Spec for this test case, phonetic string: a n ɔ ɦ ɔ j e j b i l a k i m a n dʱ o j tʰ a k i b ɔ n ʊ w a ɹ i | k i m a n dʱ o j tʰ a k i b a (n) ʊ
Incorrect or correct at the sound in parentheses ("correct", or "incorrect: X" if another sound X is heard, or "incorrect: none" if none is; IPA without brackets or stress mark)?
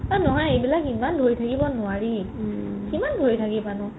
correct